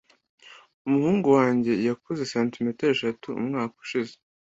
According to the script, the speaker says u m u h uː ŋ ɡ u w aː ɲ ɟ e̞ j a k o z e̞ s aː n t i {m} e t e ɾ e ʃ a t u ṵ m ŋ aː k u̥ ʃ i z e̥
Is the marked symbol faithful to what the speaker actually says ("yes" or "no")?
yes